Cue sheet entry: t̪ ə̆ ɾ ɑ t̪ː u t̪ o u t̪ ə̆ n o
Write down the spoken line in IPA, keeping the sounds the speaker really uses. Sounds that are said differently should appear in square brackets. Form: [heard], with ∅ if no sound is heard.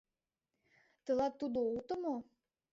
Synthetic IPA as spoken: t̪ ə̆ [l] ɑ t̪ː u [d̪] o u t̪ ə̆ [m] o